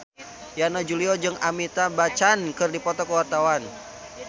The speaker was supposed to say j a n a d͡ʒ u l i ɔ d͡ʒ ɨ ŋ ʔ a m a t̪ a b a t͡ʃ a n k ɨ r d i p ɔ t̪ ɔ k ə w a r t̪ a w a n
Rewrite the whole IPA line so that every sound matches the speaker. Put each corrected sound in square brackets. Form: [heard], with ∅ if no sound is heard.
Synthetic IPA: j a n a d͡ʒ u l i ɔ d͡ʒ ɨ ŋ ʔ a m [i] t̪ a b a t͡ʃ a n k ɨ r d i p ɔ t̪ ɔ k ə w a r t̪ a w a n